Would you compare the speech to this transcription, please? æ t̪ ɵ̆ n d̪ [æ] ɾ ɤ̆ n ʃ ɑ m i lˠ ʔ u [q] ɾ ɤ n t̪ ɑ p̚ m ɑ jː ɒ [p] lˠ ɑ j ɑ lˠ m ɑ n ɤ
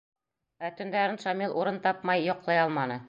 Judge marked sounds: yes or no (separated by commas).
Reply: yes, no, no